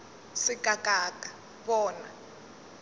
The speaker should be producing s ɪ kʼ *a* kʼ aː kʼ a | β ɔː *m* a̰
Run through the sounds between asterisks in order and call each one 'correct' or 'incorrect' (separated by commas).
correct, incorrect